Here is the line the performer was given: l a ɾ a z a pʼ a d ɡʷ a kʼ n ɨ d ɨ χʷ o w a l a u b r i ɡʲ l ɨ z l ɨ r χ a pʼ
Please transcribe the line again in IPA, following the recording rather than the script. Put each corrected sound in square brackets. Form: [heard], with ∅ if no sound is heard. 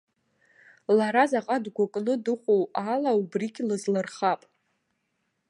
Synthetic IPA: l a ɾ a z a [qʼ] a d ɡʷ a kʼ n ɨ d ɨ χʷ o w a l a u b r i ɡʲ l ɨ z l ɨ r χ a pʼ